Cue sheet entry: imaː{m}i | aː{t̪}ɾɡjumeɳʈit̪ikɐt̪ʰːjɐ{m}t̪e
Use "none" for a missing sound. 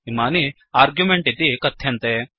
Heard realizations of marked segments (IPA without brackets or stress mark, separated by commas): n, none, n